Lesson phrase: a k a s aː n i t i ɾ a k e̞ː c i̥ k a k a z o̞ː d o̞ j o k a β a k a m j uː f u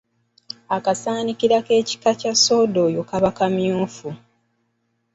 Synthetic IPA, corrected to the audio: a k a s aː n i k i ɾ a k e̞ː c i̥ k a c a s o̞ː d o̞ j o k a β a k a m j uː f u